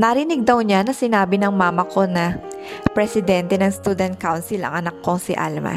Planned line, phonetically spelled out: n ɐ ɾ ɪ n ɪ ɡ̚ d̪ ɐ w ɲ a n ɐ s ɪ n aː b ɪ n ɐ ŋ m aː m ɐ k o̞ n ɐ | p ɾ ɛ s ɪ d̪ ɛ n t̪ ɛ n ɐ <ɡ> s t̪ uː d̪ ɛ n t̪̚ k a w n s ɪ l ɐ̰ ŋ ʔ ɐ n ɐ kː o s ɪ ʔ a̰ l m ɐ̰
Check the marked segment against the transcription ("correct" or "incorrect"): incorrect